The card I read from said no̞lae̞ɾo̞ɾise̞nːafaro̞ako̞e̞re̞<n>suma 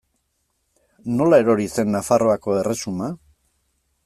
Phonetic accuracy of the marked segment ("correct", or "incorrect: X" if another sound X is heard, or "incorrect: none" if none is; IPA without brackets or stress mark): incorrect: none